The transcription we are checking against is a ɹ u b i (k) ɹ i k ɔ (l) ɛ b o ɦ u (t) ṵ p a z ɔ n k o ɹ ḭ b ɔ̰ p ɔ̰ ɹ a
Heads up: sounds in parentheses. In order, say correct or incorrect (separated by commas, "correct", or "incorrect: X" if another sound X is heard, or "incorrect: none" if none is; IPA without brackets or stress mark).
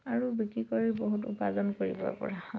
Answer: correct, incorrect: ɹ, correct